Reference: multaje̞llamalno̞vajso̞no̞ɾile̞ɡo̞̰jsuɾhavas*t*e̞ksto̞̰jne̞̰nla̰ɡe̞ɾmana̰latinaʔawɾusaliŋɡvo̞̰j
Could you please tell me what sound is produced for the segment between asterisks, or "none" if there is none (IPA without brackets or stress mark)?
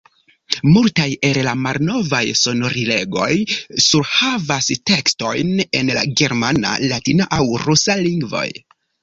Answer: t